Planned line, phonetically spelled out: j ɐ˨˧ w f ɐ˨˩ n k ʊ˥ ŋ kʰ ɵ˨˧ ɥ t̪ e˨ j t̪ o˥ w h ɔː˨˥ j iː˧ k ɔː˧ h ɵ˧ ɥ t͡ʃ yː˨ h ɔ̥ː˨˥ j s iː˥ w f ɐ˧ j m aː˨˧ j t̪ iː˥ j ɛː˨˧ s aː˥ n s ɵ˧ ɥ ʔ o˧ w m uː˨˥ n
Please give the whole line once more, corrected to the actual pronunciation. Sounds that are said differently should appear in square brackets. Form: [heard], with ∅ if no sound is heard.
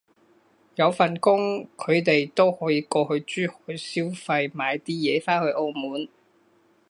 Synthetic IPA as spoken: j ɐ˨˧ w f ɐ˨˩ n k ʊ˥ ŋ kʰ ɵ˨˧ ɥ t̪ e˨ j t̪ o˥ w h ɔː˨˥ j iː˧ k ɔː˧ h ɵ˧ ɥ t͡ʃ [yː˥] h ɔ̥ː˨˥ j s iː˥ w f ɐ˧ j m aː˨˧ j t̪ iː˥ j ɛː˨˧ [f] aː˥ n [h] ɵ˧ ɥ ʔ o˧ w m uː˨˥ n